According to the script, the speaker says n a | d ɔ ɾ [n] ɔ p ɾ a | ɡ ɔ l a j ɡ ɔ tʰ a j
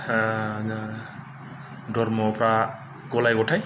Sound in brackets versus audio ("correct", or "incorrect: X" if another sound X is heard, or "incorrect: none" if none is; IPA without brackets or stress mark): incorrect: m